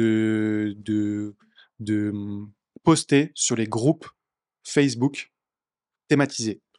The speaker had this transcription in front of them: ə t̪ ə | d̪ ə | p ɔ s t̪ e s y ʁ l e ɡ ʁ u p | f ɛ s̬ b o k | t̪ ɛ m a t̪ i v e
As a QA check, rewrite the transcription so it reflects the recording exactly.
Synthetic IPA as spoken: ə d̪ ə | d̪ ə | p ɔ s t̪ e s y ʁ l e ɡ ʁ u p | f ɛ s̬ b u k | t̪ e m a t̪ i z e